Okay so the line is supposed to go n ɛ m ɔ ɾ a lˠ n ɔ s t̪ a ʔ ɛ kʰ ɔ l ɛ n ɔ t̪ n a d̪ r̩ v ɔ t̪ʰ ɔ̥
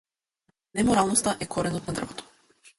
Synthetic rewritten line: n ɛ m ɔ ɾ a lˠ n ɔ s t̪ a ʔ ɛ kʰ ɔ ɾ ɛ n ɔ t̪ n a d̪ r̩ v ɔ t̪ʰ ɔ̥